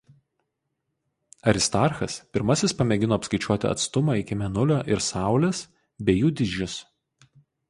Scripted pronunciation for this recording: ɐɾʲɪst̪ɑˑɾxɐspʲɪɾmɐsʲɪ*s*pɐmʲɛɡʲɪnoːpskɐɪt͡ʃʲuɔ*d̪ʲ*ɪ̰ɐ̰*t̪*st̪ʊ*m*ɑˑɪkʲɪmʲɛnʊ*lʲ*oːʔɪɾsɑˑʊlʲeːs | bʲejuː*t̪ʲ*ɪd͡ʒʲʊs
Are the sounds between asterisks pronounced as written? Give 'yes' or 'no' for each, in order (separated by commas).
yes, no, yes, yes, yes, no